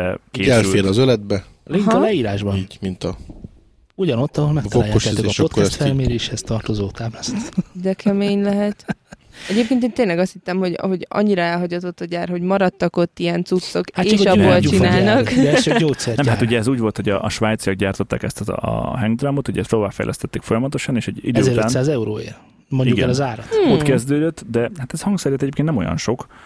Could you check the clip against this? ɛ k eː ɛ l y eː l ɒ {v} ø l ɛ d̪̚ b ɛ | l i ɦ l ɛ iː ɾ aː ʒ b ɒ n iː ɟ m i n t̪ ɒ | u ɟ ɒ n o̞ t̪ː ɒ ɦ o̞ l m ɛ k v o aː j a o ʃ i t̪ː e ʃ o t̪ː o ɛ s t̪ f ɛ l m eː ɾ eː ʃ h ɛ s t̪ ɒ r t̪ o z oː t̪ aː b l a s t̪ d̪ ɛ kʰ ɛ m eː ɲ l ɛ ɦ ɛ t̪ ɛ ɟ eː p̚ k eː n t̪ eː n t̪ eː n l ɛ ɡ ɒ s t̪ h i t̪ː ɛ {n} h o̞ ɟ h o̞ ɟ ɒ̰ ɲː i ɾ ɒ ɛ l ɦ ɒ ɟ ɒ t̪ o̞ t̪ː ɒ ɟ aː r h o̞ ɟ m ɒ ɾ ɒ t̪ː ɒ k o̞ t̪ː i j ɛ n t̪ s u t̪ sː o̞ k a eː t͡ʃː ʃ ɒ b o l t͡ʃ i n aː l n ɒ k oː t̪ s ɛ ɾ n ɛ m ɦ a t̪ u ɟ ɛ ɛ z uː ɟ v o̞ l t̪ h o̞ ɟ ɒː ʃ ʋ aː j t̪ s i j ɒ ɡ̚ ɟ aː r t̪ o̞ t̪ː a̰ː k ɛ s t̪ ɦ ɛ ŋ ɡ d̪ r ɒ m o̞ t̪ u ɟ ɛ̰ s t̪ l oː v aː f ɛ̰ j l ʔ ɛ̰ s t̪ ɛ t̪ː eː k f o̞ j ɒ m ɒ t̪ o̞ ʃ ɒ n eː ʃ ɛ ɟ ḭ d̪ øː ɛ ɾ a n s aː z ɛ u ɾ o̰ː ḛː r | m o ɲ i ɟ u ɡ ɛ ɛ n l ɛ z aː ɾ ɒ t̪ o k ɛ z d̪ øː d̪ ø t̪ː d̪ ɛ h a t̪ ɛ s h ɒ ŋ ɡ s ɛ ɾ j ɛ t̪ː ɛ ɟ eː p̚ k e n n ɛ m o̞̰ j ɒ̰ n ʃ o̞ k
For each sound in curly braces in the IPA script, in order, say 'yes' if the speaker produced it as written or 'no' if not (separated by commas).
no, no